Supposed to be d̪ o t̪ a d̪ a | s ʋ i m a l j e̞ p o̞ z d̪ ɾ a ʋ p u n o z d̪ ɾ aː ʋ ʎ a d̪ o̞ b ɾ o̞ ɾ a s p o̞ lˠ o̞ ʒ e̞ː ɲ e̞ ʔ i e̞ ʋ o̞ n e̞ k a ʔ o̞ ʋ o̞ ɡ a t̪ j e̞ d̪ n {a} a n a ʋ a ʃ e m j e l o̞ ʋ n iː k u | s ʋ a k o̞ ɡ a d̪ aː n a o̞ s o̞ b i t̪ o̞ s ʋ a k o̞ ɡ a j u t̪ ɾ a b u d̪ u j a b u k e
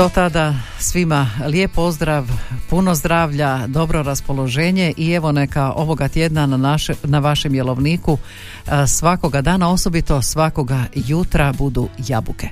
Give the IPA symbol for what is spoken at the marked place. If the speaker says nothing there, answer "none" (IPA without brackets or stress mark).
a